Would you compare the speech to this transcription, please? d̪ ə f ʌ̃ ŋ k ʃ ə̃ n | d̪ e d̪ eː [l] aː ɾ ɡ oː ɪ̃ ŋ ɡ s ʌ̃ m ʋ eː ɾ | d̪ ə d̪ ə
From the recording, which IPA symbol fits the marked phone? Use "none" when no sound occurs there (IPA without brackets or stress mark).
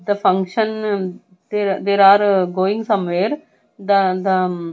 ɾ